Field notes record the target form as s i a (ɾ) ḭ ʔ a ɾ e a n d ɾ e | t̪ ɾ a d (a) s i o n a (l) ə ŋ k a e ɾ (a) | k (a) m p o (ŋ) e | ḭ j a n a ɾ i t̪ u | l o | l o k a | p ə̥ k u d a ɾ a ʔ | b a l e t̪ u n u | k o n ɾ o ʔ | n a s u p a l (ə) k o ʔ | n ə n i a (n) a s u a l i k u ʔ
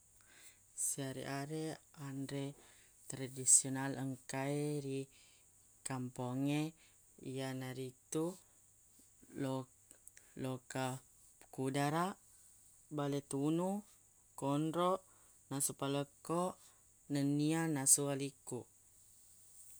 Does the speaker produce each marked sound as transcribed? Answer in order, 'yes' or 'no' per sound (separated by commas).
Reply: yes, no, yes, no, yes, yes, yes, yes